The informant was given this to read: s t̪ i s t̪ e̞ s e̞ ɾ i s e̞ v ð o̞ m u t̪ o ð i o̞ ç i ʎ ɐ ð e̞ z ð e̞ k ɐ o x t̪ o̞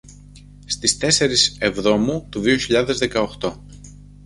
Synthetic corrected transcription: s t̪ i s t̪ e̞ s e̞ ɾ i s e̞ v ð o̞ m u t̪ u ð i o̞ ç i ʎ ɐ ð e̞ z ð e̞ k ɐ o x t̪ o̞

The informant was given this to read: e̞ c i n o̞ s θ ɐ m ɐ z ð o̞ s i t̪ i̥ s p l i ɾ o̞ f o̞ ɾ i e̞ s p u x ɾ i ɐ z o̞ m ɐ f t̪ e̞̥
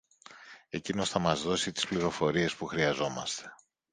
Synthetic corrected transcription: e̞ c i n o̞ s θ ɐ m ɐ z ð o̞ s i t̪ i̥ s p l i ɾ o̞ f o̞ ɾ i e̞ s p u x ɾ i ɐ z o̞ m ɐ s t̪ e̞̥

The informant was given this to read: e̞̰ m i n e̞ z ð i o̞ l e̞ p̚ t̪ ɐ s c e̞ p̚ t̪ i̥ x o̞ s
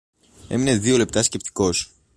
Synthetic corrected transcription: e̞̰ m i n e̞ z ð i o̞ l e̞ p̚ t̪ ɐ s c e̞ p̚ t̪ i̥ k o̞ s

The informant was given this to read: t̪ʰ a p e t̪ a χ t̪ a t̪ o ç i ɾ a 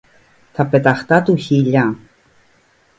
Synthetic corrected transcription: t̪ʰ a p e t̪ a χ t̪ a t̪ u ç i ʎ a

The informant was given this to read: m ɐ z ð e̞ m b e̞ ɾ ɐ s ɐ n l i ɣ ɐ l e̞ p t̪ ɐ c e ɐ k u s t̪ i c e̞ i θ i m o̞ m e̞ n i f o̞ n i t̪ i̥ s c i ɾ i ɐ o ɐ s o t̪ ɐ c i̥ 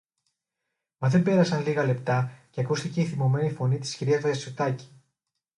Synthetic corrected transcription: m ɐ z ð e̞ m b e̞ ɾ ɐ s ɐ n l i ɣ ɐ l e̞ p t̪ ɐ c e ɐ k u s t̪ i c e̞ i θ i m o̞ m e̞ n i f o̞ n i t̪ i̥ s c i ɾ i ɐ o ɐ s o t̪ ɐ c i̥

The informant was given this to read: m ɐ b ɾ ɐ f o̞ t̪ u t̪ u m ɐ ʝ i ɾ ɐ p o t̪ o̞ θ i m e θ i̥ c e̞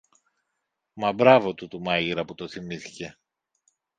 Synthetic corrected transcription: m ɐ b ɾ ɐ v o̞ t̪ u t̪ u m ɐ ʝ i ɾ ɐ p u t̪ o̞ θ i m i θ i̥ c e̞

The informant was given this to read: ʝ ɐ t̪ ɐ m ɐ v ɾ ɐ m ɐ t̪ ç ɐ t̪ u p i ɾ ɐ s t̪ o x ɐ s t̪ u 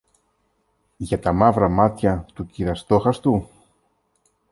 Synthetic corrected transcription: ʝ ɐ t̪ ɐ m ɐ v ɾ ɐ m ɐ t̪ ç ɐ t̪ u c i ɾ ɐ s t̪ o x ɐ s t̪ u

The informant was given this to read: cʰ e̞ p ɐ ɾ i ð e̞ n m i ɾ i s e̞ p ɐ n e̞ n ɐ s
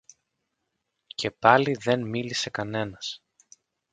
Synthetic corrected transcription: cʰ e̞ p ɐ l i ð e̞ n m i l i s e̞ k ɐ n e̞ n ɐ s

